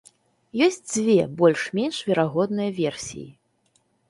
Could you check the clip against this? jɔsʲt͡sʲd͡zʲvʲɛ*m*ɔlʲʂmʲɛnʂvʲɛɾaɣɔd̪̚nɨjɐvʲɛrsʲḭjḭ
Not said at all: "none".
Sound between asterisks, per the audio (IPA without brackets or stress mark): b